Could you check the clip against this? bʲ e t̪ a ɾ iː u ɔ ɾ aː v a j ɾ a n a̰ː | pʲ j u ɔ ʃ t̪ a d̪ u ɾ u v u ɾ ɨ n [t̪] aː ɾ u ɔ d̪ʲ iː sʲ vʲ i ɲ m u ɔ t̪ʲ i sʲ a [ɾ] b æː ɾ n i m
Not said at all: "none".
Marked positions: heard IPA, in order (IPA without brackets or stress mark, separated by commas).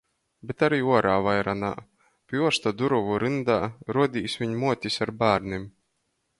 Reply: d̪, ɾ